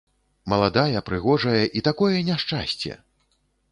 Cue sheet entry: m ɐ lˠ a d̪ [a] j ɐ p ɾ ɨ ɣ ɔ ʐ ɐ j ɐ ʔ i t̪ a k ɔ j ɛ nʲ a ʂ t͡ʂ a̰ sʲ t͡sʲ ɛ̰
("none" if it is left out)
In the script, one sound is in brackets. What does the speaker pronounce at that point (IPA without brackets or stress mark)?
a